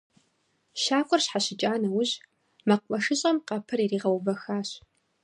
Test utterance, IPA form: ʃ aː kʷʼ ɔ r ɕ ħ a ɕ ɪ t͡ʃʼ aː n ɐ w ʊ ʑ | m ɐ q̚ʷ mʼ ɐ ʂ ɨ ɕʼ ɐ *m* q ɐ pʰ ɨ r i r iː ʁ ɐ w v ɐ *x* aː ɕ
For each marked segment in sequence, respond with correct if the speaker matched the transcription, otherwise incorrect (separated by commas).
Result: correct, correct